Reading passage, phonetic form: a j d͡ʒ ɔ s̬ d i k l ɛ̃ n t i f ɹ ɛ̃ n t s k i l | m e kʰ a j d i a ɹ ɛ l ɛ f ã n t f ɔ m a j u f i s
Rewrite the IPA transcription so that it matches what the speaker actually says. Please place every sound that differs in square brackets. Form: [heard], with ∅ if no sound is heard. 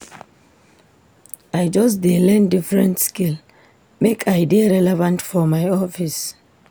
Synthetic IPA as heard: a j d͡ʒ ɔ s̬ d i [∅] l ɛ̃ n [d] i f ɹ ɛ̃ n t s k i l | m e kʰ a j d i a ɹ ɛ l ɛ [v] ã n t f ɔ m a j [ɔ] f i s